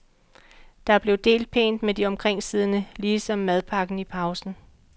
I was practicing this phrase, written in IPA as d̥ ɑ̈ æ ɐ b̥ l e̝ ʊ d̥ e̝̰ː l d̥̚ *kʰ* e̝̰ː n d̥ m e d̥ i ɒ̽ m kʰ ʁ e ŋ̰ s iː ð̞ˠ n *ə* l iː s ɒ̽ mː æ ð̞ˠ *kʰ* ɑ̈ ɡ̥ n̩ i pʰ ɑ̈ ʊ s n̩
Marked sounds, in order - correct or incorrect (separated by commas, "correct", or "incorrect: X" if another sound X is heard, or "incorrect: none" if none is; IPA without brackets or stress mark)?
incorrect: pʰ, correct, incorrect: pʰ